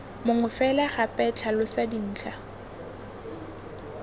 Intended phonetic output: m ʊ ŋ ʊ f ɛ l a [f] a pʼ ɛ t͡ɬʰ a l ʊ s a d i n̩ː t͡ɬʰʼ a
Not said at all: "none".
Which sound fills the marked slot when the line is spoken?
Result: χ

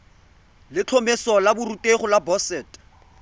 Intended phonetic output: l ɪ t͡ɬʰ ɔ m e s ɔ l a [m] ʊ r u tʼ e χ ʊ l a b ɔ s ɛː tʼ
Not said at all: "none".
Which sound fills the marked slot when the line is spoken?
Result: b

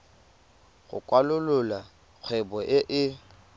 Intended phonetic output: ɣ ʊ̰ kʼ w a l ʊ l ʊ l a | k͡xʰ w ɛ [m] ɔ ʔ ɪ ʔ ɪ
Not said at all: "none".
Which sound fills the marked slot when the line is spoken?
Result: b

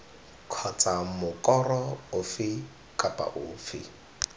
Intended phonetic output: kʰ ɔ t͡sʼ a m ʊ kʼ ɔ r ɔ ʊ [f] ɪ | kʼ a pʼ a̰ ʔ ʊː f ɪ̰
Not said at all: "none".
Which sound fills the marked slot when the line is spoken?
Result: f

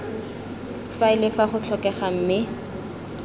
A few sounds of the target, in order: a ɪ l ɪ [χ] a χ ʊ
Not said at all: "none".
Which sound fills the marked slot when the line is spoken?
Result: f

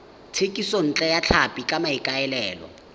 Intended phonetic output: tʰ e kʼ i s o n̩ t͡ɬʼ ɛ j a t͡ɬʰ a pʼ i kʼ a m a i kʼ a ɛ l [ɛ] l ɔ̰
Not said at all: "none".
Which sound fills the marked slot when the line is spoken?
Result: ɛː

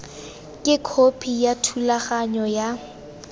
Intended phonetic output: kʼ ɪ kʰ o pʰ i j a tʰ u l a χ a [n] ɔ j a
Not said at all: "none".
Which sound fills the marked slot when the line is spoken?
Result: ɲ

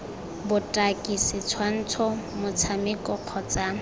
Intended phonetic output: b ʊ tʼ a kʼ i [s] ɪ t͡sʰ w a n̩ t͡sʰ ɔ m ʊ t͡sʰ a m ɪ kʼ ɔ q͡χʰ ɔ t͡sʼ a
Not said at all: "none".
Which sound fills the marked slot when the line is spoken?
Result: s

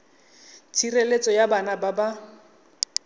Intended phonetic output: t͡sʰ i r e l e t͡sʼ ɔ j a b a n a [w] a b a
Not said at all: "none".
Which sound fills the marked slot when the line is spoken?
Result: b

